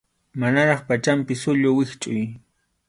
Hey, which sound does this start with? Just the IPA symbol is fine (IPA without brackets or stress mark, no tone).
m